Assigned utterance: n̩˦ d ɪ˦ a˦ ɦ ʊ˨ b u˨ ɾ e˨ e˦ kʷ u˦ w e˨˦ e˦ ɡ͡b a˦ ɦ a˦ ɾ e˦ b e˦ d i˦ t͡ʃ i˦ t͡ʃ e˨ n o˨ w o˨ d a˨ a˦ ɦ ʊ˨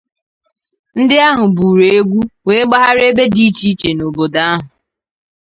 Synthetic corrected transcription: n̩˦ d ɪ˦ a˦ ɦ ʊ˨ b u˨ ɾ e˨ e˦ ɡʷ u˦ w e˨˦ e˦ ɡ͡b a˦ ɦ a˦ ɾ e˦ b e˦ d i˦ t͡ʃ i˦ t͡ʃ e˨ n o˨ b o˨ d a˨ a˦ ɦ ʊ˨